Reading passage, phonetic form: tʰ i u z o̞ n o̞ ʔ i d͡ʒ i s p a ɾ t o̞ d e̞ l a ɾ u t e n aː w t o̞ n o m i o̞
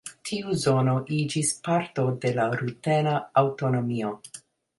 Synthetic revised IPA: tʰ i u z o̞ n o̞ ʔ i d͡ʒ i s p a ɾ t o̞ d e̞ l a ɾ u t e n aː w t o̞ n o m i o̞